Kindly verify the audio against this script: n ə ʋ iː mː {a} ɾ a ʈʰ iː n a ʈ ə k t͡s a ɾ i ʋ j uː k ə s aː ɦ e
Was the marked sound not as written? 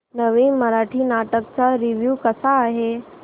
yes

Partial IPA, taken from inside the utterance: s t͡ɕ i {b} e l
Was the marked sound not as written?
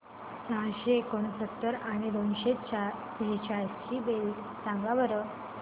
no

